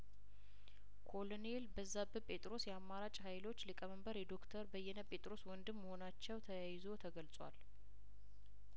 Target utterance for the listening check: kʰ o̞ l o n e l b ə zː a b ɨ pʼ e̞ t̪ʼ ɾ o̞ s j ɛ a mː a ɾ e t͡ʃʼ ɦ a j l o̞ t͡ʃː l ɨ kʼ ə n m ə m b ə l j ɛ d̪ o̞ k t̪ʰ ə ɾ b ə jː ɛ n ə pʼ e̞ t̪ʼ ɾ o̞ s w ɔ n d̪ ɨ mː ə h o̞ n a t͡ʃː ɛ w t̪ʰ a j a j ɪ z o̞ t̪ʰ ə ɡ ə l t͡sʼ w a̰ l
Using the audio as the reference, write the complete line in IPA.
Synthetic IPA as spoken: kʰ o̞ l o n e l b ə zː a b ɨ pʼ e̞ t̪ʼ ɾ o̞ s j ɛ a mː a ɾ a t͡ʃʼ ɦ a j l o̞ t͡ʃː l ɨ kʼ ə m ə m b ə ɾ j ɛ d̪ o̞ k t̪ʰ ə ɾ b ə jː ɛ n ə pʼ e̞ t̪ʼ ɾ o̞ s w ɔ n d̪ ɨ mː ə h o̞ n a t͡ʃː ɛ w t̪ʰ ə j a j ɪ z o̞ t̪ʰ ə ɡ ə l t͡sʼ w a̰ l

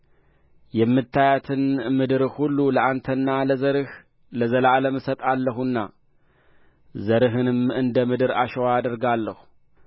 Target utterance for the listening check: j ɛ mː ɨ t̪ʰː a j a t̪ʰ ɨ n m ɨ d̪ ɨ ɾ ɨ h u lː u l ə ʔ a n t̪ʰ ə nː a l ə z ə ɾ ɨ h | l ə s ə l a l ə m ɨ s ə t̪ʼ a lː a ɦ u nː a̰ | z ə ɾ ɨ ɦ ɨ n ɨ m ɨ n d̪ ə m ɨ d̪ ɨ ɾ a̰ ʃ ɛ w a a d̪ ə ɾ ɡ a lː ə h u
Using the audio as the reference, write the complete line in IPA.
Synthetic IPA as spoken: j ɛ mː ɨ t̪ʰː a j a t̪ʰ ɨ n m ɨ d̪ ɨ ɾ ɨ h u lː u l ə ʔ a n t̪ʰ ə nː a l ə z ə ɾ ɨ h | l ə z ə l a l ə m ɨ s ə t̪ʼ a lː ə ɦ u nː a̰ | z ə ɾ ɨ ɦ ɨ n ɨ m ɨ n d̪ ə m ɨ d̪ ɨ ɾ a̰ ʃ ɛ w a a d̪ ə ɾ ɡ a lː ə h u

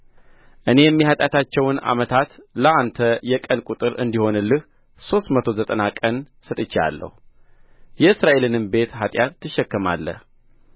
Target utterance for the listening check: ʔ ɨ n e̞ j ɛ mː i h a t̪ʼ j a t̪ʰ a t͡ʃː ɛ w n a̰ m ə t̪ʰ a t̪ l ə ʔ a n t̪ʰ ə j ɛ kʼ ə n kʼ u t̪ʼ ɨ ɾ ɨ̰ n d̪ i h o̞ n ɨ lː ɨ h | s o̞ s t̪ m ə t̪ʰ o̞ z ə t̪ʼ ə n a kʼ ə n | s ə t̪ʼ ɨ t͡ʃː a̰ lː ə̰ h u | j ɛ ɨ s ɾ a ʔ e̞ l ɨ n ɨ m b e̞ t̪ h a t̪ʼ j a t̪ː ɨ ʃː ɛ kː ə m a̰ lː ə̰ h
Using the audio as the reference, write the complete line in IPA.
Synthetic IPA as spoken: ʔ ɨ n e̞ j ɛ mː i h a t̪ʼ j a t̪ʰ a t͡ʃː ɛ w n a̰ m ə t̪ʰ a t̪ l ə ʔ a n t̪ʰ ə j ɛ kʼ ə n kʼ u t̪ʼ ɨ ɾ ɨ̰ n d̪ i h o̞ n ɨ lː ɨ h | s o̞ s t̪ m ə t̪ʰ o̞ z ə t̪ʼ ə n a kʼ ə n | s ə t̪ʼ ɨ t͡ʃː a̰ lː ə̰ h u | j ɛ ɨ s ɾ a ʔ e̞ l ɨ n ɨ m b e̞ t̪ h a t̪ʼ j a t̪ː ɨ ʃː ɛ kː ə m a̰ lː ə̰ h

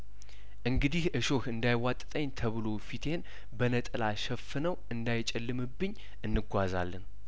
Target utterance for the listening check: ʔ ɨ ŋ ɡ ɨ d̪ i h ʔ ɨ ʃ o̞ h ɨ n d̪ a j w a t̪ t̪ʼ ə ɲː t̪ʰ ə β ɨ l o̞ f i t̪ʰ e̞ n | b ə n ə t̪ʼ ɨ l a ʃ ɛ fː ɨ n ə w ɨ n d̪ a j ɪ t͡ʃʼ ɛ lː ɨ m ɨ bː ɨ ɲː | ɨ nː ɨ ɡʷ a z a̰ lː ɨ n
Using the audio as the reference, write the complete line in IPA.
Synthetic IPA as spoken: ʔ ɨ ŋ ɡ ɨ d̪ i h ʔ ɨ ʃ o̞ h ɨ n d̪ a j w a t̪ʼ t̪ʼ ə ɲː t̪ʰ ə β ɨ l o̞ f i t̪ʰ e̞ n | b ə n ə t̪ʼ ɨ l a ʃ ɛ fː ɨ n ə w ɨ n d̪ a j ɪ t͡ʃʼ ɛ lː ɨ m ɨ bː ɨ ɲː | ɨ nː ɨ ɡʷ a z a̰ lː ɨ n

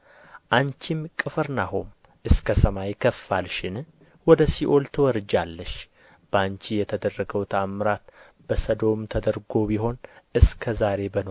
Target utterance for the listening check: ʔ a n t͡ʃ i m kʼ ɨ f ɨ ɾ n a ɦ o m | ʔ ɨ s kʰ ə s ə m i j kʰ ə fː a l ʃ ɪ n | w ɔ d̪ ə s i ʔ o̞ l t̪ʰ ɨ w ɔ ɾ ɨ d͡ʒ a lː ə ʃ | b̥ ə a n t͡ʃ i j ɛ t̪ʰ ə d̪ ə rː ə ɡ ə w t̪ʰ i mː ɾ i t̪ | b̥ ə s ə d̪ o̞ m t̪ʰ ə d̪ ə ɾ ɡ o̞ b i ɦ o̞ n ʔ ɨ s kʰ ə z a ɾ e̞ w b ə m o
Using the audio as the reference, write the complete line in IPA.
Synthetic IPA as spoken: ʔ a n t͡ʃ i m kʼ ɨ f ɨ ɾ n a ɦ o m | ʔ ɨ s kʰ ə s ə m a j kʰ ə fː a l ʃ ɪ n | w ɔ d̪ ə s i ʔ o̞ l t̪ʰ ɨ w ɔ ɾ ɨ d͡ʒ a lː ə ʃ | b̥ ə a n t͡ʃ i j ɛ t̪ʰ ə d̪ ə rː ə ɡ ə w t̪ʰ a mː ɾ a t̪ | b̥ ə s ə d̪ o̞ m t̪ʰ ə d̪ ə ɾ ɡ o̞ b i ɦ o̞ n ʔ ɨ s kʰ ə z a ɾ e̞ b ə n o

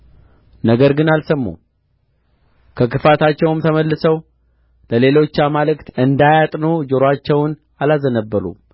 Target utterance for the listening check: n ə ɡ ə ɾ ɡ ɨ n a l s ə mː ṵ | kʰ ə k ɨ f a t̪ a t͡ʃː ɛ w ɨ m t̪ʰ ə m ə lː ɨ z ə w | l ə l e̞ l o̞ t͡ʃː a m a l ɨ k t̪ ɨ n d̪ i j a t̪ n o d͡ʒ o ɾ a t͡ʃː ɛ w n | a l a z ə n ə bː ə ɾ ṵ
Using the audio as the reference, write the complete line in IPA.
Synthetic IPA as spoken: n ə ɡ ə ɾ ɡ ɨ n a l s ə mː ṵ | kʰ ə k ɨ f a t̪ a t͡ʃː ɛ w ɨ m t̪ʰ ə m ə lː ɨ s ə w | l ə l e̞ l o̞ t͡ʃː a m a l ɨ k t̪ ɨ n d̪ a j a t̪ʼ n o d͡ʒ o ɾ a t͡ʃː ɛ w n | a l a z ə n ə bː ə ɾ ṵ

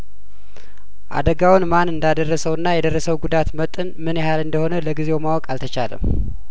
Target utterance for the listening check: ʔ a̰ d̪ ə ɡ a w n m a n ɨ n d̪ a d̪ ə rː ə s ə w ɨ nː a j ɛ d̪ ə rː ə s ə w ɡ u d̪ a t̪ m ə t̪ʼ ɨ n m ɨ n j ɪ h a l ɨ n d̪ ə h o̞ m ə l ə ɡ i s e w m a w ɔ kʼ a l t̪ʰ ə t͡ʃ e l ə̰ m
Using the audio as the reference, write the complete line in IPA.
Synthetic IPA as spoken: ʔ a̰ d̪ ə ɡ a w n m a n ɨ n d̪ a d̪ ə rː ə s ə w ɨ nː a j ɛ d̪ ə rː ə s ə w ɡ u d̪ a t̪ m ə t̪ʼ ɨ n m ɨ n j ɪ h a l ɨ n d̪ ə h o̞ n ə l ə ɡ i z e w m a w ɔ kʼ a l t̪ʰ ə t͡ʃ a l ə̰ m

